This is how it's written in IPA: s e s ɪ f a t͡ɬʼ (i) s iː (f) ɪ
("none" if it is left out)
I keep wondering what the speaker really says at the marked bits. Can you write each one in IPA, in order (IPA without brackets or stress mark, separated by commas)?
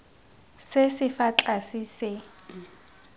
a, s